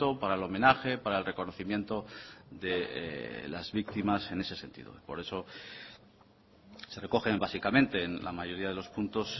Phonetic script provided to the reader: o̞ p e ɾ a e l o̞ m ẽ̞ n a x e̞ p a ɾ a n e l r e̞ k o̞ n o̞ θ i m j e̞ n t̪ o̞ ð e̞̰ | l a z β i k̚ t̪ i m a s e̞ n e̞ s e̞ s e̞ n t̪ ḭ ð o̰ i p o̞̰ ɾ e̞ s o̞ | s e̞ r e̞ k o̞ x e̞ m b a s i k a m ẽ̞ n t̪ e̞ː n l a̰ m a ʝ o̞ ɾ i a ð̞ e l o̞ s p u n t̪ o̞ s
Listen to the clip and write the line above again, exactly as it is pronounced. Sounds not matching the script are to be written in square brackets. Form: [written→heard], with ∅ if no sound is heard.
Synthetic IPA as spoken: o̞ p [e→a] ɾ a e l o̞ m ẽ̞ n a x e̞ p a ɾ a [n→∅] e l r e̞ k o̞ n o̞ θ i m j e̞ n t̪ o̞ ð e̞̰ | l a z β i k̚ t̪ i m a s e̞ n e̞ s e̞ s e̞ n t̪ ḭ ð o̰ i p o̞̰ ɾ e̞ s o̞ | s e̞ r e̞ k o̞ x e̞ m b a s i k a m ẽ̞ n t̪ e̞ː n l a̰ m a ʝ o̞ ɾ i a ð̞ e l o̞ s p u n t̪ o̞ s